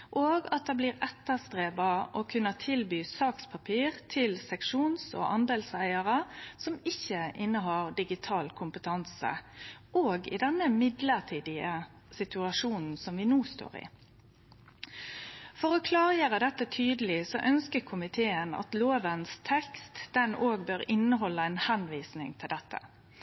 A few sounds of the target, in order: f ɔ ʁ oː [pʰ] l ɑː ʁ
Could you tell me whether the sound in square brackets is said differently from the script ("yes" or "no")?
yes